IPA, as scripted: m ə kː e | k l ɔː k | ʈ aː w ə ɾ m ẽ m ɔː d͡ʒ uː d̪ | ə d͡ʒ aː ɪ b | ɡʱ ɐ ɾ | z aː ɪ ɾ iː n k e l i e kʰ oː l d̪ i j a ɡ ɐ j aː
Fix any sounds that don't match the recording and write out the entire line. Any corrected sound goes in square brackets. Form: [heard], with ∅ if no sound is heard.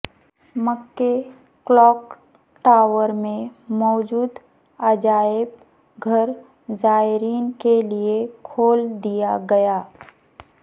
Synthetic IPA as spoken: m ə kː e | k l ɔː k | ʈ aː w ə ɾ m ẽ m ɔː d͡ʒ uː d̪ | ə d͡ʒ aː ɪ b | ɡʱ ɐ ɾ | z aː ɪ ɾ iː n k e l i e kʰ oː l d̪ i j a ɡ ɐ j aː